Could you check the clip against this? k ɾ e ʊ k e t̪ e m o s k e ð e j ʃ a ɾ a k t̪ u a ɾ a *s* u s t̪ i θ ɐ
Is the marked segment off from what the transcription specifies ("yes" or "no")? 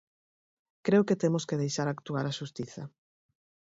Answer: yes